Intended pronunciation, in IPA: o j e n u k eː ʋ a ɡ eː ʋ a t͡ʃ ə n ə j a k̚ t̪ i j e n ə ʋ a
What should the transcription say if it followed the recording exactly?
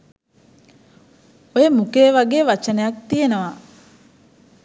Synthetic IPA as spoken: o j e m u k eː ʋ a ɡ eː ʋ a t͡ʃ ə n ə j a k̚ t̪ i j e n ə ʋ a